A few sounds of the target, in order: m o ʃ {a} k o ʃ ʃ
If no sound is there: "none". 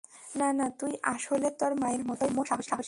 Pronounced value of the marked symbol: a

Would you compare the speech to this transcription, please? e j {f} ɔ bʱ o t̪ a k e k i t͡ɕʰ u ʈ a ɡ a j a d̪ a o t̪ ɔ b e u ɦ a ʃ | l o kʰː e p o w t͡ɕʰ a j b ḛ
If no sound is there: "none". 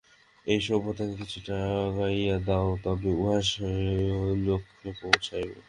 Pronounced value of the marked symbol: ʃ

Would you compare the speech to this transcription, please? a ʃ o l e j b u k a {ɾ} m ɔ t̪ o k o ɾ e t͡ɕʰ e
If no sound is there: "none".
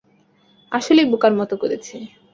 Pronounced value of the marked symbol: ɾ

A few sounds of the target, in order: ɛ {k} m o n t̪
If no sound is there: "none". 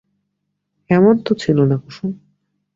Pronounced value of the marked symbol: none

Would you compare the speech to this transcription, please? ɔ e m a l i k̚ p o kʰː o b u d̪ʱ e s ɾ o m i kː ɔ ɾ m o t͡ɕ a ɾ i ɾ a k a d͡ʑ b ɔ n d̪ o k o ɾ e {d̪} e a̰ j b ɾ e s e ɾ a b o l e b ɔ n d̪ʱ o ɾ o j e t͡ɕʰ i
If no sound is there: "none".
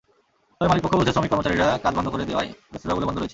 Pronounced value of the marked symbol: d̪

